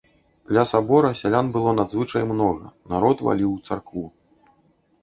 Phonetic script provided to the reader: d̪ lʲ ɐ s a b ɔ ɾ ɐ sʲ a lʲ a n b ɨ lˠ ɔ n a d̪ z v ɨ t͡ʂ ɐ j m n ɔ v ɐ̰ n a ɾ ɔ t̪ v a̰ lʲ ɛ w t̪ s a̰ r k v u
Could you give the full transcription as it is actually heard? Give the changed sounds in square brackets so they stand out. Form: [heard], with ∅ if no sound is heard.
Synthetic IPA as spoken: d̪ lʲ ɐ s a b ɔ ɾ ɐ sʲ a lʲ a n b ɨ lˠ ɔ n a d̪ z v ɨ t͡ʂ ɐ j m n ɔ [ɣ] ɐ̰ n a ɾ ɔ t̪ v a̰ lʲ [i] w t̪ s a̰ r k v u